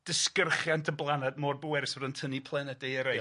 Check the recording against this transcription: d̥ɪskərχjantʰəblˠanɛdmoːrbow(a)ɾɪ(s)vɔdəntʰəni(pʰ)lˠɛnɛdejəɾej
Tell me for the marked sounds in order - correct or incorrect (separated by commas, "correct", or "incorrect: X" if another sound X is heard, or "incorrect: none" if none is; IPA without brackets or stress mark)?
incorrect: ɛ, correct, correct